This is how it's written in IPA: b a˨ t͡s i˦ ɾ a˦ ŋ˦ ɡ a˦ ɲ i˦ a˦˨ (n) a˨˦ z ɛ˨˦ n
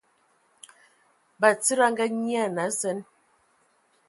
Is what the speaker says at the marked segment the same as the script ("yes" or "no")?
yes